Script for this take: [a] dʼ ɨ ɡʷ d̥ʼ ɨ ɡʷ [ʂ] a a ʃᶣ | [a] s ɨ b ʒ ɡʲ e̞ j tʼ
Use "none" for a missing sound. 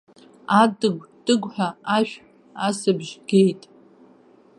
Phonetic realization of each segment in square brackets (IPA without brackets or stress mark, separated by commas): a, ħ, a